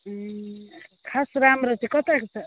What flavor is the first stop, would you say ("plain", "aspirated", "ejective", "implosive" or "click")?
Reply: aspirated